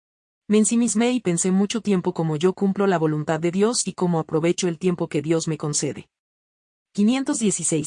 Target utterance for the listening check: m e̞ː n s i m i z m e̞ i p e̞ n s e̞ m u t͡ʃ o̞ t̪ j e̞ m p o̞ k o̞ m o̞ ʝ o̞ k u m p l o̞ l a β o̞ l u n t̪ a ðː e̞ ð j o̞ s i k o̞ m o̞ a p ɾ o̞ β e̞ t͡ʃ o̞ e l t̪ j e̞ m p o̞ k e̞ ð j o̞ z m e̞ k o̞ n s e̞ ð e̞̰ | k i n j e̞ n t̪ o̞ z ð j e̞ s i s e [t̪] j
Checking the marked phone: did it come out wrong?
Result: yes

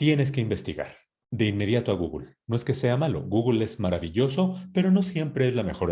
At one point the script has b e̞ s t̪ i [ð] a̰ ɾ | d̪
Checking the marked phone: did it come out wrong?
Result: yes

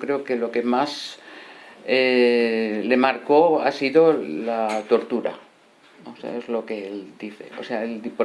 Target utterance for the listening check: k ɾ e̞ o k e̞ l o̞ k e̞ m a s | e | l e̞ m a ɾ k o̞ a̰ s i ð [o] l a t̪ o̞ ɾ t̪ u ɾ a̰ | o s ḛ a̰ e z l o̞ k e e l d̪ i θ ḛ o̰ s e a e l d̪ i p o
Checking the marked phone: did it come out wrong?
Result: no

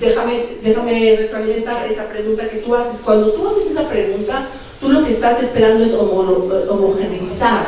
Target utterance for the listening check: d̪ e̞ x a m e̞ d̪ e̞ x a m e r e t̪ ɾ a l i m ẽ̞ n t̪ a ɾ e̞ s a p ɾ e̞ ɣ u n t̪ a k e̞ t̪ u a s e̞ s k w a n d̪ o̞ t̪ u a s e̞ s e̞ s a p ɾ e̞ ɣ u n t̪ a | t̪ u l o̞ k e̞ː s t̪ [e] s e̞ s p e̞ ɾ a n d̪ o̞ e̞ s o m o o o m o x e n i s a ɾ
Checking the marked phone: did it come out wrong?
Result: yes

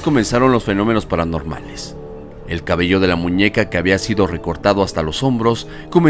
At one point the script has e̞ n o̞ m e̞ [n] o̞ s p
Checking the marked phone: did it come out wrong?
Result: no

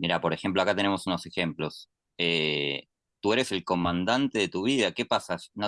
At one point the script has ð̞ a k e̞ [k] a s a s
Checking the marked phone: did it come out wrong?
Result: yes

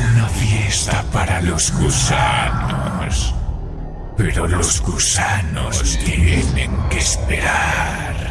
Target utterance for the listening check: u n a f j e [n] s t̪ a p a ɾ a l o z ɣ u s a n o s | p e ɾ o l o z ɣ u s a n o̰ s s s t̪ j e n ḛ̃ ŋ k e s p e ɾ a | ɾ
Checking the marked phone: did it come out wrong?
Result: yes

